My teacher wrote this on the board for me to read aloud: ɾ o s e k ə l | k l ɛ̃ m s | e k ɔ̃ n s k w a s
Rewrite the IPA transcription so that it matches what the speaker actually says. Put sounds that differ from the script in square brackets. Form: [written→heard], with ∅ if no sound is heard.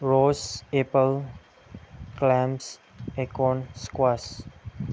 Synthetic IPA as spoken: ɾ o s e [k→p] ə l | k l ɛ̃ m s | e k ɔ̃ n s k w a s

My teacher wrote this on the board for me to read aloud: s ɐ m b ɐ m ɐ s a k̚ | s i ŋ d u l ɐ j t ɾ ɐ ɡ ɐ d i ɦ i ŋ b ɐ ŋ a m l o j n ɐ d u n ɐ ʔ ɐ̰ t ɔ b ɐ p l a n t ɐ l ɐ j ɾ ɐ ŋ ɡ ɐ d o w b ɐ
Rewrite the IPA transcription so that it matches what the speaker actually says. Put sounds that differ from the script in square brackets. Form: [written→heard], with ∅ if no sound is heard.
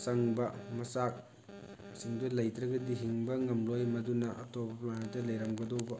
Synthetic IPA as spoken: s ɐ [m→ŋ] b ɐ m ɐ s a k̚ | s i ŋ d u l ɐ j t ɾ ɐ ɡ ɐ d i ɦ i ŋ b ɐ ŋ [a→ɐ] m l o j [n→m] ɐ d u n ɐ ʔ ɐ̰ t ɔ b ɐ p l a n t ɐ l ɐ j ɾ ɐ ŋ ɡ ɐ d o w b ɐ

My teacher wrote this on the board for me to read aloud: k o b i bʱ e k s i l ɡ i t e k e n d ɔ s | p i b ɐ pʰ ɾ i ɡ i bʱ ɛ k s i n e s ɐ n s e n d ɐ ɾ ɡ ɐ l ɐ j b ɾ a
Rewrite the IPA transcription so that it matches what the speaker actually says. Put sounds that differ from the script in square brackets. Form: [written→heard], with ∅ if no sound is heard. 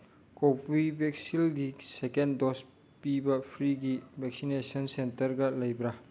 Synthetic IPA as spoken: k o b i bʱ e k s i l ɡ i [t→s] e k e n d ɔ s | p i b ɐ pʰ ɾ i ɡ i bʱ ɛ k s i n e s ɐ n s e n [d→t] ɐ ɾ ɡ ɐ l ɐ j b ɾ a

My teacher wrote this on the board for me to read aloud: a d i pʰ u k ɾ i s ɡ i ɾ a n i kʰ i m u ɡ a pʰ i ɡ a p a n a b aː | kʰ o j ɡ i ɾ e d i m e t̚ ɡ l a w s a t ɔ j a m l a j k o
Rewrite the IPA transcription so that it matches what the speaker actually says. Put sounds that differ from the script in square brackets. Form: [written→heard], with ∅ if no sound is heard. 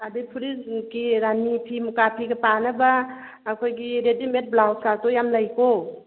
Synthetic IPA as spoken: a d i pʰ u [k→∅] ɾ i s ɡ i ɾ a n i [kʰ→pʰ] i m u [ɡ→k] a pʰ i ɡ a p a n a b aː | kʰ o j ɡ i ɾ e d i m e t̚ [ɡ→b] l a w s a t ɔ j a m l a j k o

